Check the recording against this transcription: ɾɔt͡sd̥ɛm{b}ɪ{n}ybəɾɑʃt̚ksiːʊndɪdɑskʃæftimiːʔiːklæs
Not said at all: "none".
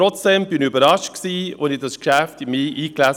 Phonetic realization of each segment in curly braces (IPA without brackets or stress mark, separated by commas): b, n